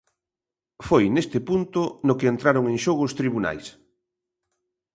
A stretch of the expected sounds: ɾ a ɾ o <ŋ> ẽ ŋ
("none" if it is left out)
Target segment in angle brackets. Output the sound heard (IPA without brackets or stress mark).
ŋ